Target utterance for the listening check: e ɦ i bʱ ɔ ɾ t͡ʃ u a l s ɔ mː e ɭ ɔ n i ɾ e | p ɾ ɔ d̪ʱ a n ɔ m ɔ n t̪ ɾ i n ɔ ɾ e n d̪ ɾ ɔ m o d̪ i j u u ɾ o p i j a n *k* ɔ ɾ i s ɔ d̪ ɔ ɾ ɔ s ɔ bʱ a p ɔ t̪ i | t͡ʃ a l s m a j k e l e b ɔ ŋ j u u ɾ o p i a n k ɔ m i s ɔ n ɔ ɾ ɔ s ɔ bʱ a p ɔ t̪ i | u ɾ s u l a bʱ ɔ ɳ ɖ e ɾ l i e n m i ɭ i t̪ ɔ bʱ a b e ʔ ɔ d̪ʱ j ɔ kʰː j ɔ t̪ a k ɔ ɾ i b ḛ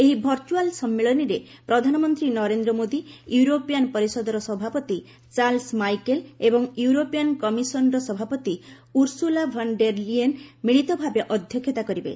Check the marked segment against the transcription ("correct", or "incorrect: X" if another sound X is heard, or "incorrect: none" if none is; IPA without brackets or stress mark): incorrect: p